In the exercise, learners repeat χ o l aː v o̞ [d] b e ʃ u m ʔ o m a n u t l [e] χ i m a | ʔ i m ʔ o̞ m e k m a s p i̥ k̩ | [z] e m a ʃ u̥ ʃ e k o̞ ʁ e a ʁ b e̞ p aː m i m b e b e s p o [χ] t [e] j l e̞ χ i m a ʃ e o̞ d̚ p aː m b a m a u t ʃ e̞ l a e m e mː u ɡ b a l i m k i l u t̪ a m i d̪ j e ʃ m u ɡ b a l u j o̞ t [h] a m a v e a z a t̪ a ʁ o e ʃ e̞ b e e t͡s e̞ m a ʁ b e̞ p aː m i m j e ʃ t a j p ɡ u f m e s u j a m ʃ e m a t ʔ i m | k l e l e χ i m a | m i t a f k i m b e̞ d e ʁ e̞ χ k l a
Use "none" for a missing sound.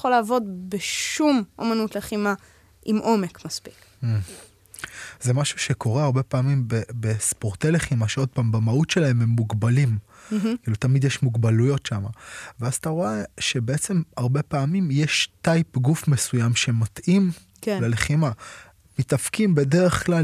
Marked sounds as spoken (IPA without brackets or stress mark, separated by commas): d, e, z, ʁ, e, ʃ